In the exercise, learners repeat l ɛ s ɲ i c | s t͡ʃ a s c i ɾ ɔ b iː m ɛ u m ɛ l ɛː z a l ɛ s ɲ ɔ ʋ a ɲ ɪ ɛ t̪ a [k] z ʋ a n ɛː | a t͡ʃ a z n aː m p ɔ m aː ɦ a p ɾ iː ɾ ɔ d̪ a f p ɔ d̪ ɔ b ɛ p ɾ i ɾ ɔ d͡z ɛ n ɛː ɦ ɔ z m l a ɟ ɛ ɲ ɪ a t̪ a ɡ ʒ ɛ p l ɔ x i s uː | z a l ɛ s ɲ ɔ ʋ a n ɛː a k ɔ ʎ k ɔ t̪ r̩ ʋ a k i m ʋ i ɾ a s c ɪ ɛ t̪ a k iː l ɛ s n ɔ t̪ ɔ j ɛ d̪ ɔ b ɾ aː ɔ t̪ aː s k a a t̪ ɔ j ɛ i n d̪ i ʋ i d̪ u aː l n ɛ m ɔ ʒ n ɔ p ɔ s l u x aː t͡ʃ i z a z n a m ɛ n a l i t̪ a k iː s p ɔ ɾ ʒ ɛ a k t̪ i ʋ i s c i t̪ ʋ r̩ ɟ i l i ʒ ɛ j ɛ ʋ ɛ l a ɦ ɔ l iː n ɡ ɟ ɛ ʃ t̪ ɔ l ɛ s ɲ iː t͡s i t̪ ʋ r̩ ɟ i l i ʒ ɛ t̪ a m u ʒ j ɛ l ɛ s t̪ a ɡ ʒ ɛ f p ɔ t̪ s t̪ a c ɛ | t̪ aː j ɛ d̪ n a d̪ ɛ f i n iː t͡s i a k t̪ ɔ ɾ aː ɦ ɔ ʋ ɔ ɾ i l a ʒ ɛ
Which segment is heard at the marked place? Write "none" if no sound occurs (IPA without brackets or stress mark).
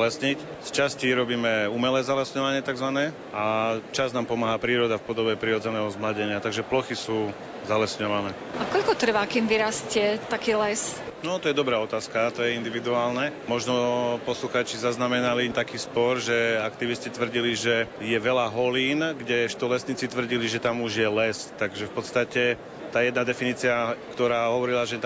ɡ